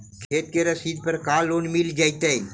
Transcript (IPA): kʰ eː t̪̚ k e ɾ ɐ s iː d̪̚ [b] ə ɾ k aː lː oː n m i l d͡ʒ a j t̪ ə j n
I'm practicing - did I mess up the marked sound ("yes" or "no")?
yes